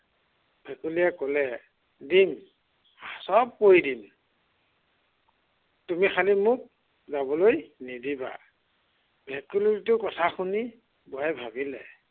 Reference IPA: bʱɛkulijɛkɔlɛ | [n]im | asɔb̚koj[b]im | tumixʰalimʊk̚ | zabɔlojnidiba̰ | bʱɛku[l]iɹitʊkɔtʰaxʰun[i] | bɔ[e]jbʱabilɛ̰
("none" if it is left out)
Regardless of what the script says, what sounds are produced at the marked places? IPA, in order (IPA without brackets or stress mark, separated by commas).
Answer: d, d, l, i, a